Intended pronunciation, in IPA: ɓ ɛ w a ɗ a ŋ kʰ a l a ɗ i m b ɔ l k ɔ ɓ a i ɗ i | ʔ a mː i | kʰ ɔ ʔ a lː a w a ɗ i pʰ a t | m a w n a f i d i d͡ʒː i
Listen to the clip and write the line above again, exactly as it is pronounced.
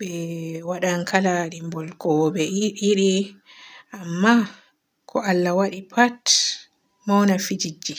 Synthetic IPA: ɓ ɛ w a ɗ a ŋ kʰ a l a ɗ i m b ɔ l k ɔ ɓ ɛ i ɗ i | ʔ a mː a | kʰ ɔ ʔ a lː a w a ɗ i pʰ a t | m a w n a f i d͡ʒ i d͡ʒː i